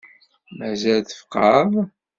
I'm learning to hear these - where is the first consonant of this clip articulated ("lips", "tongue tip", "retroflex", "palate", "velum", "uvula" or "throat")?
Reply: lips